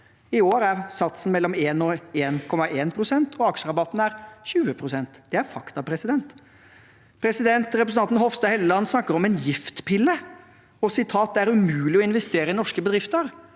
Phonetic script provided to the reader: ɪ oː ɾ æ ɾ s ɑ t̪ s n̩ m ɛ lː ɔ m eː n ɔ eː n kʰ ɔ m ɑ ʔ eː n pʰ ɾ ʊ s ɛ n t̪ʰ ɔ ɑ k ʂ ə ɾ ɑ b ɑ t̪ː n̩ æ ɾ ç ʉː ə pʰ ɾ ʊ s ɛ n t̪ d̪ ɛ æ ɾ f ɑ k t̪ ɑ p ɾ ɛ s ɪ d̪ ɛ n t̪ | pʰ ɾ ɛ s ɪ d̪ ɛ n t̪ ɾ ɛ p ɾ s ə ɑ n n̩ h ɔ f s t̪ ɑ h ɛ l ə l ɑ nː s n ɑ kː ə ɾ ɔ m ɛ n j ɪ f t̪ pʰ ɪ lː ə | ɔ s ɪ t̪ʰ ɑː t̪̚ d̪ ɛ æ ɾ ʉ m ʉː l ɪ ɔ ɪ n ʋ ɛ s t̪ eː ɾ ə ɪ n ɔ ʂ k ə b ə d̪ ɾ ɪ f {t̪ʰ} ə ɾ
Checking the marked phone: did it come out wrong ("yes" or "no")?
yes